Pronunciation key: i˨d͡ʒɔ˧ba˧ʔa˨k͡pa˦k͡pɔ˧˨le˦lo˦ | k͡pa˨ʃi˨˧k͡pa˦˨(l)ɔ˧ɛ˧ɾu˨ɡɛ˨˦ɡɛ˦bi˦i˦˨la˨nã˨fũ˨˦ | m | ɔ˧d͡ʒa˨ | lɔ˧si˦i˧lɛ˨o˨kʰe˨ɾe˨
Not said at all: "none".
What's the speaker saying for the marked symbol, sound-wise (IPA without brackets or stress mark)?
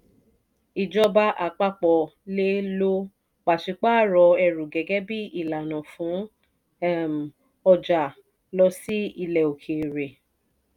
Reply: ɾ